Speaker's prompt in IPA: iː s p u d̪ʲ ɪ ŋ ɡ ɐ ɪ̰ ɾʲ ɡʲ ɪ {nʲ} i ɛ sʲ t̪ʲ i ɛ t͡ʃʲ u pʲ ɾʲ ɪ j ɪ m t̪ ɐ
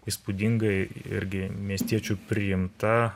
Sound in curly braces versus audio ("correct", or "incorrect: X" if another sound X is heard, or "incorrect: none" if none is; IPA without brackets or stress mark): incorrect: mʲ